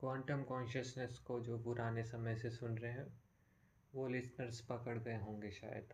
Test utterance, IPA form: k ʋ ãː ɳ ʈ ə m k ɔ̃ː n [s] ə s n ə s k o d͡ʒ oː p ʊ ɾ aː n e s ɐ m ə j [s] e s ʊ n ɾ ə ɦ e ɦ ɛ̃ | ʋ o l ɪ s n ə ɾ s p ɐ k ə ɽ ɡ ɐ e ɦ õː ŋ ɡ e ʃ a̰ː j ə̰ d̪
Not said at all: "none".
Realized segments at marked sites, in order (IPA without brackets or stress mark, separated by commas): ʃ, s